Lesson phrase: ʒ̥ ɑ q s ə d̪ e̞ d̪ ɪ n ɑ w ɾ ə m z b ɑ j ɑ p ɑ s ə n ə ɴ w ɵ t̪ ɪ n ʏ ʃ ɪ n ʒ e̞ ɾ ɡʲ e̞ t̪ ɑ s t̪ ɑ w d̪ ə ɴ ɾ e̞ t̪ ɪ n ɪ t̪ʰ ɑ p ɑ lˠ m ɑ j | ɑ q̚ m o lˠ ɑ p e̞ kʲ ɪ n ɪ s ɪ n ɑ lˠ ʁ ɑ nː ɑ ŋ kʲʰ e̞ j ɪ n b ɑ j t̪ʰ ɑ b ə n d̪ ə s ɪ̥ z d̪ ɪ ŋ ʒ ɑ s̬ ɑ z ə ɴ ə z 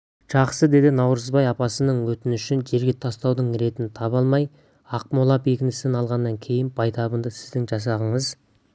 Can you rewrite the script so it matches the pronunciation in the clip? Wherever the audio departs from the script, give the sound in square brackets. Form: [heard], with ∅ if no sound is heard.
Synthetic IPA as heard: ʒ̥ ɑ q s ə d̪ e̞ d̪ ɪ n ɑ w ɾ ə [∅] z b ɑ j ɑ p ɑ s ə n ə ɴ w ɵ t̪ ɪ n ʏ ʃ ɪ n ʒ e̞ ɾ ɡʲ e̞ [t̪ʰ] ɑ s t̪ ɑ w d̪ ə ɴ ɾ e̞ t̪ ɪ n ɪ t̪ʰ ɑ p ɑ lˠ m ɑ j | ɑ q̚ m o lˠ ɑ p e̞ kʲ ɪ n ɪ s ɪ n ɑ lˠ ʁ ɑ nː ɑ ŋ kʲʰ e̞ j ɪ n b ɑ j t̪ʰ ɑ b ə n d̪ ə s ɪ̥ z d̪ ɪ ŋ ʒ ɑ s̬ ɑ [ʁ] ə ɴ ə z

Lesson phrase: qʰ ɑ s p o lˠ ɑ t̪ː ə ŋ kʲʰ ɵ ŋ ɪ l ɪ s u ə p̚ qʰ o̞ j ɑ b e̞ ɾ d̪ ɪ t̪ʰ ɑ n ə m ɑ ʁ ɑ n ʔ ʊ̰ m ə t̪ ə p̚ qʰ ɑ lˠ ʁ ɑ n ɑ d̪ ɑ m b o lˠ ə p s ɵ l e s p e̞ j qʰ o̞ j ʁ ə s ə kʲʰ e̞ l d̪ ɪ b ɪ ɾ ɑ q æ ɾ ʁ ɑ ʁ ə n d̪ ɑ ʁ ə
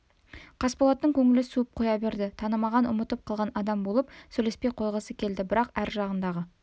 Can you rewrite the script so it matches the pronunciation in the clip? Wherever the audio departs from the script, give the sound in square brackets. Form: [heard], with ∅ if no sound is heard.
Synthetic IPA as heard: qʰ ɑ s p o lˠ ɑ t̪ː ə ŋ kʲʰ ɵ ŋ ɪ l ɪ s u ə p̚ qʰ o̞ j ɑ b e̞ ɾ d̪ ɪ t̪ʰ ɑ n ə m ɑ ʁ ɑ n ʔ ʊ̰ m ə t̪ ə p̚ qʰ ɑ lˠ ʁ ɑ n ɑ d̪ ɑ m b o lˠ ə p s ɵ l e s p e̞ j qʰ o̞ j ʁ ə s ə kʲʰ e̞ l d̪ ɪ b ɪ ɾ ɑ q æ ɾ [ʒ] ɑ ʁ ə n d̪ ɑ ʁ ə

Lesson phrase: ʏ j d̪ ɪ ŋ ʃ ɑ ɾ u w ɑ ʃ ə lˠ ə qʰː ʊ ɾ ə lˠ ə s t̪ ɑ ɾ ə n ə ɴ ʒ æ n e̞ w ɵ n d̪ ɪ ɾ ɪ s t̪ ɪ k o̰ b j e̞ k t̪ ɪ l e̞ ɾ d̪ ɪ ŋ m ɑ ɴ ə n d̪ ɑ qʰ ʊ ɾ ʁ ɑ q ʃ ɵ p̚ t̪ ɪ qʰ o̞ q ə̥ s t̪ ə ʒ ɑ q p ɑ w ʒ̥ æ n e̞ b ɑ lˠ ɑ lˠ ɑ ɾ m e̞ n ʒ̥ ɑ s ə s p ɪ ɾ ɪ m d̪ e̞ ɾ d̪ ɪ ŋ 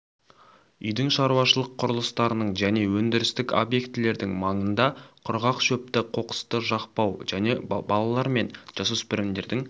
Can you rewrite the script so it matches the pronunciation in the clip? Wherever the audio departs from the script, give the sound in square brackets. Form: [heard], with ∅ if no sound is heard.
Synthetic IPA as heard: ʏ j d̪ ɪ ŋ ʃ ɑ ɾ u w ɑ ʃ ə lˠ ə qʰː ʊ ɾ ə lˠ ə s t̪ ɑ ɾ ə n ə ɴ ʒ æ n e̞ w ɵ n d̪ ɪ ɾ ɪ s t̪ ɪ k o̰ b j e̞ k t̪ ɪ l e̞ ɾ d̪ ɪ ŋ m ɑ ɴ ə n d̪ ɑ qʰ ʊ ɾ ʁ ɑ q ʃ ɵ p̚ t̪ ɪ qʰ o̞ q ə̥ s t̪ ə ʒ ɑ q p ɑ w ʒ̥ æ n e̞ b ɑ lˠ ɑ lˠ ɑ ɾ m e̞ n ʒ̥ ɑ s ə s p ɪ ɾ ɪ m d̪ e̞ ɾ d̪ ɪ ŋ

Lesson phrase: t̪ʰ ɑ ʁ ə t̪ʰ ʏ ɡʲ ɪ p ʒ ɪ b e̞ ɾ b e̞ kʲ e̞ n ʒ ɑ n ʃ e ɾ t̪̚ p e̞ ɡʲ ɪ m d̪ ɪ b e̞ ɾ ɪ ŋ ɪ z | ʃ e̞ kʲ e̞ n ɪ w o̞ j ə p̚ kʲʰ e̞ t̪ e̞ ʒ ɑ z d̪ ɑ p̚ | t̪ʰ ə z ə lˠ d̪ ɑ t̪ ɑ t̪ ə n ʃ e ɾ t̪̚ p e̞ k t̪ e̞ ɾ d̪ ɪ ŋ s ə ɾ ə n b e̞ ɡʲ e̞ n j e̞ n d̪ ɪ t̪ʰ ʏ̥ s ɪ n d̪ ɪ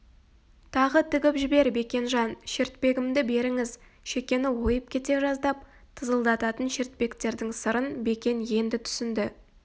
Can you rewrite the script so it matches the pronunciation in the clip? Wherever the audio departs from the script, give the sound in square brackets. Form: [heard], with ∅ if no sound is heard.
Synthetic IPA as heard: t̪ʰ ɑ ʁ ə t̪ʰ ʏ ɡʲ ɪ p ʒ ɪ b e̞ ɾ b e̞ kʲ e̞ n ʒ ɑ n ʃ e ɾ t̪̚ p e̞ ɡʲ ɪ m d̪ ɪ b e̞ ɾ ɪ ŋ ɪ z | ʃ e̞ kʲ e̞ n ɪ w o̞ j ə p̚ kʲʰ e̞ t̪ e̞ ʒ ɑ z d̪ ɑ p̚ | t̪ʰ ə z ə lˠ d̪ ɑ t̪ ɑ t̪ ə n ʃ e ɾ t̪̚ p e̞ k t̪ e̞ ɾ d̪ ɪ ŋ s ə ɾ ə n b e̞ [kʲ] e̞ n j e̞ n d̪ ɪ t̪ʰ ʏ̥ s ɪ n d̪ ɪ

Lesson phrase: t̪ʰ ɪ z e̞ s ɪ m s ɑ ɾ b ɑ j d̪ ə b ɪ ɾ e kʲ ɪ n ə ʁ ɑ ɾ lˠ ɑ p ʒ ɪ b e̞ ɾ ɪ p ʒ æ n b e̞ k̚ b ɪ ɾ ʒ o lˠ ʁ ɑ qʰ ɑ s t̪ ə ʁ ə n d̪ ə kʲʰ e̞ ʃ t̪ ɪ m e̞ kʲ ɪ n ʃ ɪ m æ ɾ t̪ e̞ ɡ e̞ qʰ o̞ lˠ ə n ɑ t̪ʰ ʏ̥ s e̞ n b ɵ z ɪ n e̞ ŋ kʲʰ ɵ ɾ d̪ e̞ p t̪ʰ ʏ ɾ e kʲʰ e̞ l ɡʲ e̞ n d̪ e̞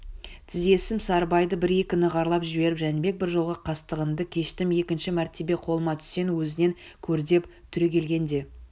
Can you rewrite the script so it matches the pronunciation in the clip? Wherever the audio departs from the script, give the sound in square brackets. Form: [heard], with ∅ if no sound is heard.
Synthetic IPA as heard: t̪ʰ ɪ z e̞ s ɪ m s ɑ ɾ b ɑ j d̪ ə b ɪ ɾ e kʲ ɪ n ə ʁ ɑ ɾ lˠ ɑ p ʒ ɪ b e̞ ɾ ɪ p ʒ æ n b e̞ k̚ b ɪ ɾ ʒ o lˠ ʁ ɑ qʰ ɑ s t̪ ə ʁ ə n d̪ ə kʲʰ e̞ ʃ t̪ ɪ m e̞ kʲ ɪ n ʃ ɪ m æ ɾ t̪ e̞ [b] e̞ qʰ o̞ lˠ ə [m] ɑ t̪ʰ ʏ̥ s e̞ n [w] ɵ z ɪ n e̞ ŋ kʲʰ ɵ ɾ d̪ e̞ p t̪ʰ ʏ ɾ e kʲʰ e̞ l ɡʲ e̞ n d̪ e̞

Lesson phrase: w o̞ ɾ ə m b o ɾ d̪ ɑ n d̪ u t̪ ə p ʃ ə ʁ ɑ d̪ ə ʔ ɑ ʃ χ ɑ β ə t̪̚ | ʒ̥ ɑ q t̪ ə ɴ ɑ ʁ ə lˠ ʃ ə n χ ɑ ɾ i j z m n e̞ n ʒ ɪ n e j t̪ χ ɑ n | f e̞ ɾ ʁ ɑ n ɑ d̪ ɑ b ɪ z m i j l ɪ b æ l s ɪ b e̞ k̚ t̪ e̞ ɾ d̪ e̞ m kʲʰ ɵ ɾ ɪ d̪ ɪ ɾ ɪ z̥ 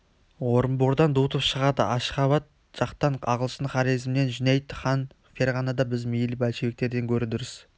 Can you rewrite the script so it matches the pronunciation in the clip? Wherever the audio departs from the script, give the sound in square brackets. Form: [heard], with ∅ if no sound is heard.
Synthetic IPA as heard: w o̞ ɾ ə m b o ɾ d̪ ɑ n d̪ u t̪ ə p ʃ ə ʁ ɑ d̪ ə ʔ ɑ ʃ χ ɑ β [ɑ] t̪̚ | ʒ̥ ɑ q t̪ [ɑ] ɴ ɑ ʁ ə lˠ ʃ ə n χ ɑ ɾ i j z m n e̞ n ʒ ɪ n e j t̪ χ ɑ n | f e̞ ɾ ʁ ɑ n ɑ d̪ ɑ b ɪ z m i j l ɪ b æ l [ʃ] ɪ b e̞ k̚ t̪ e̞ ɾ d̪ e̞ [ŋ] kʲʰ ɵ ɾ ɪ d̪ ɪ ɾ ɪ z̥

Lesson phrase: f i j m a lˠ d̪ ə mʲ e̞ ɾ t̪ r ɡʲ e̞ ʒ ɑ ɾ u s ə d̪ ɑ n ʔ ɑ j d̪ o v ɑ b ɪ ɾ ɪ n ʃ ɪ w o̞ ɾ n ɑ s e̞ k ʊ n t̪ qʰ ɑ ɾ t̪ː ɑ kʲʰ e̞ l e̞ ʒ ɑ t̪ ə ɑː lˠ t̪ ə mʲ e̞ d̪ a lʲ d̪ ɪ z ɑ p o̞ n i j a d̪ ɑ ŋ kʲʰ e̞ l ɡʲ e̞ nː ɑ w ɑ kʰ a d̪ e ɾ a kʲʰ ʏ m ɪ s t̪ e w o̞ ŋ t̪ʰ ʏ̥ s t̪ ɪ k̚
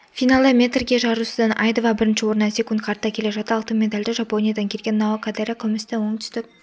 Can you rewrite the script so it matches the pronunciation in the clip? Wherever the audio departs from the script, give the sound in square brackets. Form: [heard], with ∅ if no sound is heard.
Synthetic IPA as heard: f i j [n] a lˠ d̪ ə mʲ e̞ [∅] t̪ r ɡʲ e̞ ʒ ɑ ɾ u s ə d̪ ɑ n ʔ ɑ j d̪ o v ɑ b ɪ ɾ ɪ n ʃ ɪ w o̞ ɾ n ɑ s e̞ k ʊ n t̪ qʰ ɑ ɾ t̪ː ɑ kʲʰ e̞ l e̞ ʒ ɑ t̪ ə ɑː lˠ t̪ ə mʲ e̞ d̪ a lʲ d̪ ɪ [ʒ] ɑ p o̞ n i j a d̪ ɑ ŋ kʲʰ e̞ l ɡʲ e̞ nː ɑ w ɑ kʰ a d̪ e ɾ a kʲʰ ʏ m ɪ s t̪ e w o̞ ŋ t̪ʰ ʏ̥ s t̪ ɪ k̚

